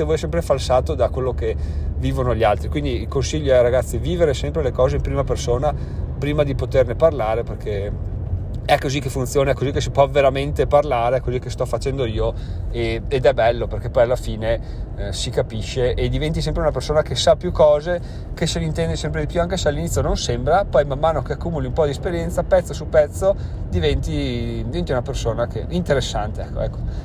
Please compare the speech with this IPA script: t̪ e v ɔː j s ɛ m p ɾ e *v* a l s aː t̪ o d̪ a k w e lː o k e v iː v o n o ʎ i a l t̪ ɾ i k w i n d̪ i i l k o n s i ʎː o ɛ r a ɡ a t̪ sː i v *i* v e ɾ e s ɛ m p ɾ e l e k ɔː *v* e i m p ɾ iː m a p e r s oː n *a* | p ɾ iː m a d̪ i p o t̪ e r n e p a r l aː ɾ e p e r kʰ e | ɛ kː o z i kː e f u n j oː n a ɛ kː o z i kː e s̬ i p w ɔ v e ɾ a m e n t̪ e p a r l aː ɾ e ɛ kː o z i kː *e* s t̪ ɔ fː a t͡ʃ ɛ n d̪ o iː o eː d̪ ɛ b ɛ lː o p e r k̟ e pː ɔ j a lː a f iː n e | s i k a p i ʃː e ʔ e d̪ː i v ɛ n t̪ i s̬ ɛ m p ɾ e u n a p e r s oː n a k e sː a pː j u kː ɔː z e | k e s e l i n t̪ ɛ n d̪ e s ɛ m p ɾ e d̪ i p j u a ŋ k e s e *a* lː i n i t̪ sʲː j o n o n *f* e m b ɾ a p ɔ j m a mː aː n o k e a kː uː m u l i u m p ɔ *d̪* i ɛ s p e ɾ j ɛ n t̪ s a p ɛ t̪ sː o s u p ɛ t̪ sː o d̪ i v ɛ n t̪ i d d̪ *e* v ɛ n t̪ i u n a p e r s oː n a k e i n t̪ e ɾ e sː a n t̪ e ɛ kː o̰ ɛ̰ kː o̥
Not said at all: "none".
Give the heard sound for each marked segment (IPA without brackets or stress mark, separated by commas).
f, iː, z, a, e, a, s, d̪, i